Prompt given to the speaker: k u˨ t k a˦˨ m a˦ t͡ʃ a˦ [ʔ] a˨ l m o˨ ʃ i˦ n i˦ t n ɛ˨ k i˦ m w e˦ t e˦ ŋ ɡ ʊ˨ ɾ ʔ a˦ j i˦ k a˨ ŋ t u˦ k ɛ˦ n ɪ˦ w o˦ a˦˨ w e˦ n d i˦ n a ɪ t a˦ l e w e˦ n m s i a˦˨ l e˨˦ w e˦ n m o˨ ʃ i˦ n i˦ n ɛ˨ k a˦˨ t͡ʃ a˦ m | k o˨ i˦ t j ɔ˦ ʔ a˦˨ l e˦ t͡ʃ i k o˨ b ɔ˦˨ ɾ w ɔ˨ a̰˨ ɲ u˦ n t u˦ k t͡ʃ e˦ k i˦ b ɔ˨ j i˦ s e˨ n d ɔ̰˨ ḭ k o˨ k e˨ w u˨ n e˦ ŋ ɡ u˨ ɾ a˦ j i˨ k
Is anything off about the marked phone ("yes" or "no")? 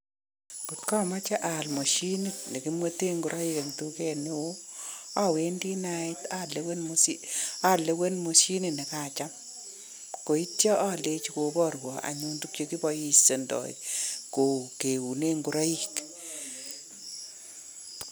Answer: no